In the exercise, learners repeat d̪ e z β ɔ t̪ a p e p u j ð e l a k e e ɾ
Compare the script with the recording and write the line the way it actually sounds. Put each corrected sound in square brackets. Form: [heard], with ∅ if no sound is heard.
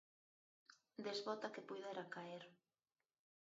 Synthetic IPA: d̪ e z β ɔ t̪ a [k] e p u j ð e [ɾ] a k [a] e ɾ

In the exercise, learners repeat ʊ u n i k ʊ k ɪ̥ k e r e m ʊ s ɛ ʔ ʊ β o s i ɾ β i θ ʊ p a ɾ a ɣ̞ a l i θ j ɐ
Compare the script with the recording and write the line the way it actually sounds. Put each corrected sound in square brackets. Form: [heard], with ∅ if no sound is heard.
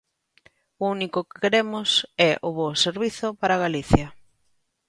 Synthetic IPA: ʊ u n i k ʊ k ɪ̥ k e [ɾ] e m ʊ s ɛ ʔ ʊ β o s [e] ɾ β i θ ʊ p a ɾ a ɣ̞ a l i θ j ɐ

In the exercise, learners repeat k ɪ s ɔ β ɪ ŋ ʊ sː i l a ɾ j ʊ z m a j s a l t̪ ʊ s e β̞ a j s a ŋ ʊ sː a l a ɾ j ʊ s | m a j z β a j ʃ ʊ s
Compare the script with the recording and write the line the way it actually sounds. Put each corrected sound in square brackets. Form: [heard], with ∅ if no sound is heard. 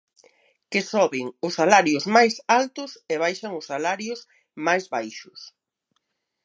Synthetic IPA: k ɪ s ɔ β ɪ ŋ ʊ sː [a] l a ɾ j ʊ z m a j s a l t̪ ʊ s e β̞ a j [ʃ] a ŋ ʊ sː a l a ɾ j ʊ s | m a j z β a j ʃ ʊ s

